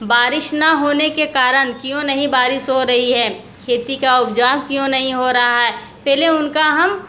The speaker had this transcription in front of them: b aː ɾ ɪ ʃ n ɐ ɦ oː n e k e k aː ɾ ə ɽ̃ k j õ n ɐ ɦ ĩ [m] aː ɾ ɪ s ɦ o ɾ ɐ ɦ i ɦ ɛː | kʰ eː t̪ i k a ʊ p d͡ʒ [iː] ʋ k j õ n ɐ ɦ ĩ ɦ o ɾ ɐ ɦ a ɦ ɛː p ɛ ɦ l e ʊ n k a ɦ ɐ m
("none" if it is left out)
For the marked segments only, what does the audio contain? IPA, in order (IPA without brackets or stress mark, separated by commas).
b, aː